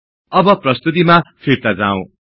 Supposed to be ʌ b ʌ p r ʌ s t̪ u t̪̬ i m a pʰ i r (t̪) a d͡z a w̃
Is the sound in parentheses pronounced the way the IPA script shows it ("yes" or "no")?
yes